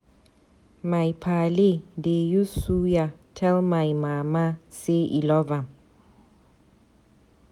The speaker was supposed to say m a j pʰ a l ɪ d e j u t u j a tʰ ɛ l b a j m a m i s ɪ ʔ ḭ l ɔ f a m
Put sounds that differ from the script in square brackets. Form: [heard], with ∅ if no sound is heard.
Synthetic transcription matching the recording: m a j pʰ a l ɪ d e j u [s] u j a tʰ ɛ l [m] a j m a m [a] s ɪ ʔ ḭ l ɔ [v] a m